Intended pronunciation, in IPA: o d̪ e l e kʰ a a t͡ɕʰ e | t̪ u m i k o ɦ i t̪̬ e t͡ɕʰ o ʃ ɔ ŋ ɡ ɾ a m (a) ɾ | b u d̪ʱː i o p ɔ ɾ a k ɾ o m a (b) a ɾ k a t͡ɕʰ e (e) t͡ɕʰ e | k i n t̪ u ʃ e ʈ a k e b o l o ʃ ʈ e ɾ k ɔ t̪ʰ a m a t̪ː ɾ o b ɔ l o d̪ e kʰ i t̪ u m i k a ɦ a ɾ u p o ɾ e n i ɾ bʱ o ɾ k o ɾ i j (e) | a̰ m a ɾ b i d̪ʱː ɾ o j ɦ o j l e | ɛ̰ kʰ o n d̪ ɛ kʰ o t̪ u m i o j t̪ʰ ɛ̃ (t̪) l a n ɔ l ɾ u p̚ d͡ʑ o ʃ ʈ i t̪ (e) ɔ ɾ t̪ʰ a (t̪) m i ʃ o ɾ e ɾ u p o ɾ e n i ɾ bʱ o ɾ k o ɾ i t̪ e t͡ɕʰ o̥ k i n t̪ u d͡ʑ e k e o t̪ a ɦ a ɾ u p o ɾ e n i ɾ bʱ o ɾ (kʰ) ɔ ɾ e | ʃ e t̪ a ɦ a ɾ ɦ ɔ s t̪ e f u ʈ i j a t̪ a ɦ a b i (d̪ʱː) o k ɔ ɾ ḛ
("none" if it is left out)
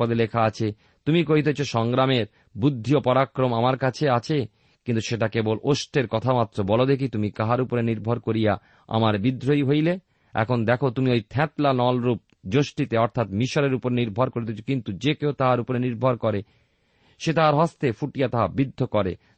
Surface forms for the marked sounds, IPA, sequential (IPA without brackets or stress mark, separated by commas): e, m, a, a, t̪, e, t̪, k, d̪ʱː